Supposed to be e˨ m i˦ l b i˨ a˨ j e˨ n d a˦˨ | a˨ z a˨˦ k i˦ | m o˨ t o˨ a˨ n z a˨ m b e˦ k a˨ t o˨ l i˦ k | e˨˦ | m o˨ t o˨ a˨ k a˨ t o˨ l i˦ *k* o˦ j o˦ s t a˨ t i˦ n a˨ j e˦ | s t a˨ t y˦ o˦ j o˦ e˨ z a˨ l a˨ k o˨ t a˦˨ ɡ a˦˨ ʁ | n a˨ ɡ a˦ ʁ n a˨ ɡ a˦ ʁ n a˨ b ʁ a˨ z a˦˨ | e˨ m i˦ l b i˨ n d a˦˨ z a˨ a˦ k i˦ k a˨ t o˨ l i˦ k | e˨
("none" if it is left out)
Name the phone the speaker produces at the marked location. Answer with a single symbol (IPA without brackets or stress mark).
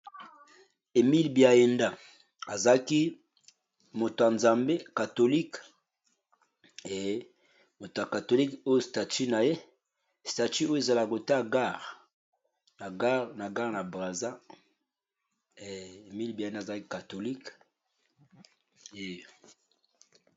k